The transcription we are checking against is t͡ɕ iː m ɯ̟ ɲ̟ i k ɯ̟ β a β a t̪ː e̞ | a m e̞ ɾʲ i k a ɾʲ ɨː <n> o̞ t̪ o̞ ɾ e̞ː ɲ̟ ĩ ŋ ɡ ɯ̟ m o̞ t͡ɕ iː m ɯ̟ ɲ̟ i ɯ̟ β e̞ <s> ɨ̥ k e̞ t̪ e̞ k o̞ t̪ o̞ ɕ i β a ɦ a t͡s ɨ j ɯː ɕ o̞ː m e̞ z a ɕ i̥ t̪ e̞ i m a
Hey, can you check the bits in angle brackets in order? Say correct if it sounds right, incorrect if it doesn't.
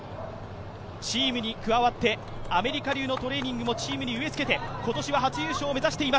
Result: correct, incorrect: t͡s

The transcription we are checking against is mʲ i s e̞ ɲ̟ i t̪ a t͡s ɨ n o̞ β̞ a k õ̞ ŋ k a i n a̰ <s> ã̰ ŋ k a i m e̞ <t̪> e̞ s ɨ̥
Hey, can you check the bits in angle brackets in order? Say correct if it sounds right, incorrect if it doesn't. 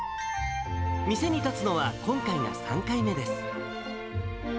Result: correct, incorrect: d̪

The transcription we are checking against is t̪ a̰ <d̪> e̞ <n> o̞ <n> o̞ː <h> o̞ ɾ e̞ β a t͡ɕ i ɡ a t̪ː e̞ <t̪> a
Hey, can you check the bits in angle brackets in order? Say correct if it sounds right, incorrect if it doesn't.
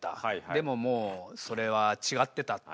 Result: correct, incorrect: m, incorrect: m, incorrect: s, correct

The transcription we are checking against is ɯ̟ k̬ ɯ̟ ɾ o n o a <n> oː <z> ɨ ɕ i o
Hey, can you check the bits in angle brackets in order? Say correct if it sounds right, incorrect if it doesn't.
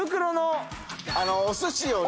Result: correct, incorrect: s

